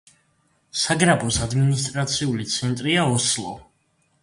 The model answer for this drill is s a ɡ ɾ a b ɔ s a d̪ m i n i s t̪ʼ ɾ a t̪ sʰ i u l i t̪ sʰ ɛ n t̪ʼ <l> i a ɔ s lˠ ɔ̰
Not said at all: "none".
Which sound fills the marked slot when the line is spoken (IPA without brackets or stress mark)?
ɾ